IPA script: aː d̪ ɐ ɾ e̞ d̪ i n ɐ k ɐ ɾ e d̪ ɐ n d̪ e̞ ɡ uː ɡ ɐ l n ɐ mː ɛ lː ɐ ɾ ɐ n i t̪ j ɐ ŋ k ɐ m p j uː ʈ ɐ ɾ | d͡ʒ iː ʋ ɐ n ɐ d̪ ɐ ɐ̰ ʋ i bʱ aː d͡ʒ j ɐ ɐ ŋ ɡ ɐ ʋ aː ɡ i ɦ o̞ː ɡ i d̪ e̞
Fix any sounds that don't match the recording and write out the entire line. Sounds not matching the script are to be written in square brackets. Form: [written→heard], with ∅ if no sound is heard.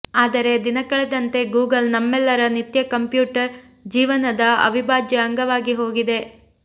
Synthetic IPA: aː d̪ ɐ ɾ e̞ d̪ i n ɐ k ɐ [ɾ→ɭ] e d̪ ɐ n [d̪→t̪] e̞ ɡ uː ɡ ɐ l n ɐ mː ɛ lː ɐ ɾ ɐ n i t̪ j ɐ [ŋ→∅] k ɐ m p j uː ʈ ɐ ɾ | d͡ʒ iː ʋ ɐ n ɐ d̪ ɐ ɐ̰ ʋ i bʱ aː d͡ʒ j ɐ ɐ ŋ ɡ ɐ ʋ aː ɡ i ɦ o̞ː ɡ i d̪ e̞

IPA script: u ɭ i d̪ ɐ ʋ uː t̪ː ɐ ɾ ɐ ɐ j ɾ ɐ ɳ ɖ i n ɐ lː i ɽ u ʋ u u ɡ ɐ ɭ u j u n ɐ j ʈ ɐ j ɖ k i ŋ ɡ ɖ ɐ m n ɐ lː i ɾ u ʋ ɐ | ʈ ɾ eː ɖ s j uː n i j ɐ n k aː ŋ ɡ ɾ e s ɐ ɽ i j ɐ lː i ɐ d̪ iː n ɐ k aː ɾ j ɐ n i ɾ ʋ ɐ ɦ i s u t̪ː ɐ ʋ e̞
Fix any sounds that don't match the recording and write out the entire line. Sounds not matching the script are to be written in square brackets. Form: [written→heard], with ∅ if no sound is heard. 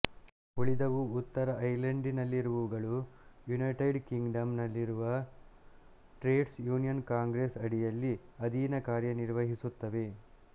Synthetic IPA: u ɭ i d̪ ɐ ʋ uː t̪ː ɐ ɾ ɐ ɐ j [ɾ→l] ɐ ɳ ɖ i n ɐ lː i [ɽ→ɾ] u ʋ u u ɡ ɐ ɭ u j u n ɐ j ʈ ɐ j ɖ k i ŋ ɡ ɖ ɐ m n ɐ lː i ɾ u ʋ ɐ | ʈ ɾ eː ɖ s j uː n i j ɐ n k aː ŋ ɡ ɾ e s ɐ ɽ i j ɐ lː i ɐ d̪ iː n ɐ k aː ɾ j ɐ n i ɾ ʋ ɐ ɦ i s u t̪ː ɐ ʋ e̞

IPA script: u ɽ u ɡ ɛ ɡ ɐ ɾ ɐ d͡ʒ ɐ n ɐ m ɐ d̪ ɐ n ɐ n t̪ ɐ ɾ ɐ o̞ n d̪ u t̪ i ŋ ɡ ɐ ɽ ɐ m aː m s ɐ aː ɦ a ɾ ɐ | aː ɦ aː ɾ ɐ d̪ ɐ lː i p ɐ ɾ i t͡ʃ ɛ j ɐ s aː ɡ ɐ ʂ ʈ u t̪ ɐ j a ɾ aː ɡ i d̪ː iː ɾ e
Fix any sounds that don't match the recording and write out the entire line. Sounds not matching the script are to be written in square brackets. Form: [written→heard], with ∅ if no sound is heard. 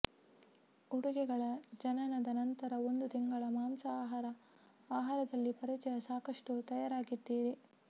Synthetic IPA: u ɽ u ɡ ɛ ɡ ɐ [ɾ→ɭ] ɐ d͡ʒ ɐ n ɐ [m→n] ɐ d̪ ɐ n ɐ n t̪ ɐ ɾ ɐ o̞ n d̪ u t̪ i ŋ ɡ ɐ [ɽ→ɭ] ɐ m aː m s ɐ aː ɦ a ɾ ɐ | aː ɦ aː ɾ ɐ d̪ ɐ lː i p ɐ ɾ i t͡ʃ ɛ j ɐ s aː [ɡ→k] ɐ ʂ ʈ u t̪ ɐ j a ɾ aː ɡ i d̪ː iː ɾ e

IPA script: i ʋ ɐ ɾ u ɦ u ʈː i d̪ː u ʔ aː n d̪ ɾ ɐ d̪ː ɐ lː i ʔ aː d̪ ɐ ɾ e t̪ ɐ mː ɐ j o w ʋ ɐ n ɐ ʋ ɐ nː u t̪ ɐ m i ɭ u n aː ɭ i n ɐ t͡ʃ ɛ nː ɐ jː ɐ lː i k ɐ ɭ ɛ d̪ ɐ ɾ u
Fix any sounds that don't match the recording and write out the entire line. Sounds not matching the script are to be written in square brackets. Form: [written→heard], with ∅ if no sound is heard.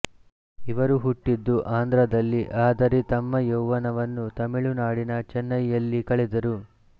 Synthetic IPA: i ʋ ɐ ɾ u ɦ u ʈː i d̪ː u ʔ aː n d̪ ɾ ɐ [d̪ː→d̪] ɐ lː i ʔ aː d̪ ɐ ɾ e t̪ ɐ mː ɐ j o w ʋ ɐ n ɐ ʋ ɐ nː u t̪ ɐ m i ɭ u n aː [ɭ→ɽ] i n ɐ t͡ʃ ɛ nː ɐ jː ɐ lː i k ɐ ɭ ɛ d̪ ɐ ɾ u

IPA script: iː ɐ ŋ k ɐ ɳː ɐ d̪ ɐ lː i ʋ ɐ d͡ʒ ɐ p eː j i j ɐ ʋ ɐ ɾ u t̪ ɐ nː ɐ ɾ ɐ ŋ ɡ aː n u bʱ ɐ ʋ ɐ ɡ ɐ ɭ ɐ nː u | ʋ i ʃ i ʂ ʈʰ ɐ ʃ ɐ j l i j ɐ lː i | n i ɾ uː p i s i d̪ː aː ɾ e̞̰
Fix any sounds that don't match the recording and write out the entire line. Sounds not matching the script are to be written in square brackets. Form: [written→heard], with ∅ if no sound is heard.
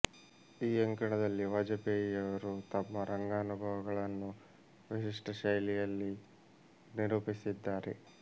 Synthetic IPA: iː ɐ ŋ k ɐ [ɳː→ɳ] ɐ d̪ ɐ lː i ʋ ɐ d͡ʒ ɐ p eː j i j ɐ ʋ ɐ ɾ u t̪ ɐ [nː→mː] ɐ ɾ ɐ ŋ ɡ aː n u bʱ ɐ ʋ ɐ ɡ ɐ ɭ ɐ nː u | ʋ i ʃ i ʂ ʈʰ ɐ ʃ ɐ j l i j ɐ lː i | n i ɾ uː p i s i d̪ː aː ɾ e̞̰

